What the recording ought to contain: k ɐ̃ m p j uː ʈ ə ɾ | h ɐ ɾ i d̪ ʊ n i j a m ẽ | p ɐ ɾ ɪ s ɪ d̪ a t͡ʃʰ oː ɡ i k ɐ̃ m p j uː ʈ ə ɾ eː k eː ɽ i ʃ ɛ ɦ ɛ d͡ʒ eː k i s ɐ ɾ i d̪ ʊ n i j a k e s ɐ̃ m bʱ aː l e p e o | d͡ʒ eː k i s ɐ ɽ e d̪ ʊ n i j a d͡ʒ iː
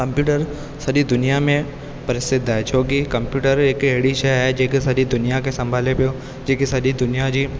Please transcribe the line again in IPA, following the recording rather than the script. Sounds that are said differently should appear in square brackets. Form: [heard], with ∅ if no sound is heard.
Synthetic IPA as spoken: k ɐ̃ m p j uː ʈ ə ɾ | [s] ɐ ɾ i d̪ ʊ n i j a m ẽ | p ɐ ɾ ɪ s ɪ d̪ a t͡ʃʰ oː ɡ i k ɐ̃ m p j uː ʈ ə ɾ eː k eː ɽ i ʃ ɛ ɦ ɛ d͡ʒ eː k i s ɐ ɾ i d̪ ʊ n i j a k e s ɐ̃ m bʱ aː l e p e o | d͡ʒ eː k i s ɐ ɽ [i] d̪ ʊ n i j a d͡ʒ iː